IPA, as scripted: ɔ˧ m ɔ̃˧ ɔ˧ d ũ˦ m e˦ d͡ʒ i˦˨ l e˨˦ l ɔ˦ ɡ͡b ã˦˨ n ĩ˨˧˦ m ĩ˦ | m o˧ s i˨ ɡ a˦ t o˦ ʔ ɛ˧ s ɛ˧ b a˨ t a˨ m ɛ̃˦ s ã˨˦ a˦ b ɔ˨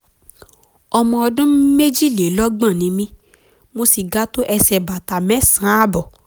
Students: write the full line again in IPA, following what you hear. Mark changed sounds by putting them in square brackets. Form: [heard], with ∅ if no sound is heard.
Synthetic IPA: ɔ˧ m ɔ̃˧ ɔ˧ d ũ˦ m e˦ d͡ʒ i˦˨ l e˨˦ l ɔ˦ ɡ͡b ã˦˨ n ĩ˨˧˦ m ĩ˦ | m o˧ s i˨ ɡ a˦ t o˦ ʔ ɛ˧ s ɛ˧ b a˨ t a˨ m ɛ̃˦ s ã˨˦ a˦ b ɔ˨